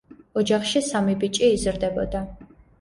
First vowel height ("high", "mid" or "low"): mid